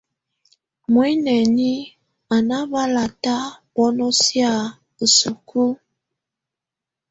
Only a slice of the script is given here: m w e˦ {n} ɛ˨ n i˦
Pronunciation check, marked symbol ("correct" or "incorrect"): correct